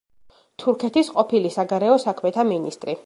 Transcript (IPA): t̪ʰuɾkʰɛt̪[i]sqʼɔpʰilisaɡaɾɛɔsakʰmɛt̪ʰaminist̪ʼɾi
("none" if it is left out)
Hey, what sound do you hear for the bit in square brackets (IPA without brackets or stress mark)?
i